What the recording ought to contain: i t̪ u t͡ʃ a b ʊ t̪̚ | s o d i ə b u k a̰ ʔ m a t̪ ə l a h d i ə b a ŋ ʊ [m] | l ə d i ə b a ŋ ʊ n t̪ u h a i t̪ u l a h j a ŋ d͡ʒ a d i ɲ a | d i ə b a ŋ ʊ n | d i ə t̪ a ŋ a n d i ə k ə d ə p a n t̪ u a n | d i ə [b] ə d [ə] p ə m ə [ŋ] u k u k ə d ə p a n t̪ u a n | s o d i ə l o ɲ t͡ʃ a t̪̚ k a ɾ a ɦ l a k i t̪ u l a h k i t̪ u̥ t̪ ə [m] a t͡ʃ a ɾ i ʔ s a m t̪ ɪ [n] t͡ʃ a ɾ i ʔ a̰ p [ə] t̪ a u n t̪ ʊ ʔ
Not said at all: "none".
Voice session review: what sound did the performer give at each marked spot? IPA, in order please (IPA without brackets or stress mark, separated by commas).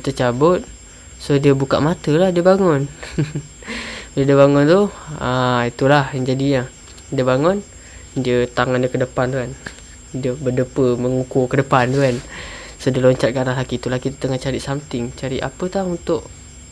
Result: n, b, ə, ŋ, ŋ, ŋ, ə